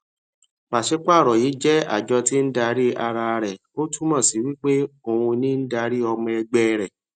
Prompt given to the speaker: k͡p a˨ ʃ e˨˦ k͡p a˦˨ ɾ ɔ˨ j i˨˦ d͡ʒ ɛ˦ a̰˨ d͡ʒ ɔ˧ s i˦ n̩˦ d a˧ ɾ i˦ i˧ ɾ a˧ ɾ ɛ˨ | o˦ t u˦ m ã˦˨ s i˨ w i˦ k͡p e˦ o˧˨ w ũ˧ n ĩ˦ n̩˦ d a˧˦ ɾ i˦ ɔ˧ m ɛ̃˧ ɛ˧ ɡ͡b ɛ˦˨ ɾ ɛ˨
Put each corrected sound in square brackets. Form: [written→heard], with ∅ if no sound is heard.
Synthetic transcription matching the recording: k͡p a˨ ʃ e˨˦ k͡p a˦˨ ɾ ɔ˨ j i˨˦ d͡ʒ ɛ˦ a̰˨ d͡ʒ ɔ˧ [s→t] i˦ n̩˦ d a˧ ɾ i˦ [i˧→a˧] ɾ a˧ ɾ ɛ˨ | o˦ t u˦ m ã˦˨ s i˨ w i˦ k͡p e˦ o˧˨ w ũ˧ n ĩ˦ n̩˦ d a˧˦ ɾ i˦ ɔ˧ m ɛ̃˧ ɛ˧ ɡ͡b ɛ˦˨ ɾ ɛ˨

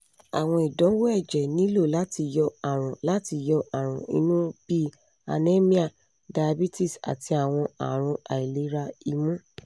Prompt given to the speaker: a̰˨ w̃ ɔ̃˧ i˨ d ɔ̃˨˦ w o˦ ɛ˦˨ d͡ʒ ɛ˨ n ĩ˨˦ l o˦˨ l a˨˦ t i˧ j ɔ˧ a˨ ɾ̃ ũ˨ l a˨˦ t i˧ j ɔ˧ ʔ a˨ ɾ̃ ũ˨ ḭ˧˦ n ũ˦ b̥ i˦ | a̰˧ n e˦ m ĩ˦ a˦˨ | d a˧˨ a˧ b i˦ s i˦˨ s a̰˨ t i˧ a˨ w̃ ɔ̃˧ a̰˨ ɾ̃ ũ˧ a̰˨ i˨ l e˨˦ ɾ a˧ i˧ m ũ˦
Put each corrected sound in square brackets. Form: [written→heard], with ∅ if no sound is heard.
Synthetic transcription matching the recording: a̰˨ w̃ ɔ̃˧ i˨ d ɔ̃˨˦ w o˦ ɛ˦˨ d͡ʒ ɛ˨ n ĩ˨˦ l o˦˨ l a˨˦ t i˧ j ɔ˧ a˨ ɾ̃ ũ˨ l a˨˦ t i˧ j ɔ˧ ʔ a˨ ɾ̃ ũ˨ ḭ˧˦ n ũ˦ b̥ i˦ | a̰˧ n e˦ m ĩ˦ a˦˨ | d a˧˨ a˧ b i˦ [s→t] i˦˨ s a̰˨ t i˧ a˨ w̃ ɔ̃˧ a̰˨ ɾ̃ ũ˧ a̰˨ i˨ l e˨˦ ɾ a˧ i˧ m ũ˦

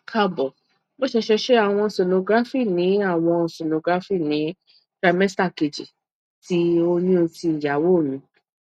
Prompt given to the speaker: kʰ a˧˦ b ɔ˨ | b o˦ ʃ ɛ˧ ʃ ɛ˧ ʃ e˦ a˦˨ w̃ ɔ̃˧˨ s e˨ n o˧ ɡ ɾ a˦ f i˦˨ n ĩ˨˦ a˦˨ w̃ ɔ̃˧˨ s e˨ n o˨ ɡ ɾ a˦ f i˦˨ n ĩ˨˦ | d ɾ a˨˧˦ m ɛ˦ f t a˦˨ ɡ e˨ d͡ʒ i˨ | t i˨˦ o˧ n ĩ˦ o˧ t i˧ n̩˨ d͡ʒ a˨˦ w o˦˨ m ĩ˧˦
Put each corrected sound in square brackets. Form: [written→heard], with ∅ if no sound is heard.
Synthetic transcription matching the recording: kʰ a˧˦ b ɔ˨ | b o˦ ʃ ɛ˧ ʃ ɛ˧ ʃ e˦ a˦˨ w̃ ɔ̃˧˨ s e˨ n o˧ ɡ ɾ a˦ f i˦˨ n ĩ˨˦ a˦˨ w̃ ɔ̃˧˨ s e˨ n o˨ ɡ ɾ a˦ f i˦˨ n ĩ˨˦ | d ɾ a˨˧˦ m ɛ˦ [f→s] t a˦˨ [ɡ→k] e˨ d͡ʒ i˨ | t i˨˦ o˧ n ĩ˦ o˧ t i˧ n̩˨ d͡ʒ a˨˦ w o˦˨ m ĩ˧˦

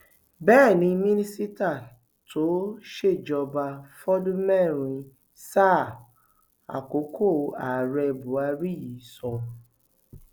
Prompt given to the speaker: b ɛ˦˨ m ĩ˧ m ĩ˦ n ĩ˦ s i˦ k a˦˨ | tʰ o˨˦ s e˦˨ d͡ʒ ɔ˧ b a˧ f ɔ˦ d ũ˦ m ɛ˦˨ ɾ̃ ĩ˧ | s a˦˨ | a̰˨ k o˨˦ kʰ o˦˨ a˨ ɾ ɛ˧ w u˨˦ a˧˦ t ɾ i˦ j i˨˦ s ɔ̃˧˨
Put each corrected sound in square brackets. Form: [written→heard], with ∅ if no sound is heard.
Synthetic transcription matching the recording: b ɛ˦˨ [m→n] ĩ˧ m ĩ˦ n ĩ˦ s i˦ [k→t] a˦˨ | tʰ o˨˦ [s→ʃ] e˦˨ d͡ʒ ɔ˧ b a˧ f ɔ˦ d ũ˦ m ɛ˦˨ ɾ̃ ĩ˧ | s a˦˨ | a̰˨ k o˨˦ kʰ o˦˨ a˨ ɾ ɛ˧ [w→b] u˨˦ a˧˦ [t→∅] ɾ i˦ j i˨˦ s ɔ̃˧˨

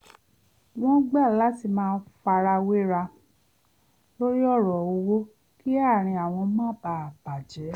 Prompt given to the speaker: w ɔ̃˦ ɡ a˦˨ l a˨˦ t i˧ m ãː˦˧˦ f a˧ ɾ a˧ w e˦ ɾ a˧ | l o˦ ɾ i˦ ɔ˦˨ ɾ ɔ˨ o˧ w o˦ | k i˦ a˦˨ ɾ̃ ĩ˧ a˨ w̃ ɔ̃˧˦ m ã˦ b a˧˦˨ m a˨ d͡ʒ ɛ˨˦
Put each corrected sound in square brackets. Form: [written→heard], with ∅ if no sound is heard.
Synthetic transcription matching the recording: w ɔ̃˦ [ɡ→ɡ͡b] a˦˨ l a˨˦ t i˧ m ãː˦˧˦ f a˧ ɾ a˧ w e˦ ɾ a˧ | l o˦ ɾ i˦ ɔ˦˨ ɾ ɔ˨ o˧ w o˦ | k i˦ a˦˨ ɾ̃ ĩ˧ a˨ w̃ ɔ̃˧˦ m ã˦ b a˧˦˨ [m→b] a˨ d͡ʒ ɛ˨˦

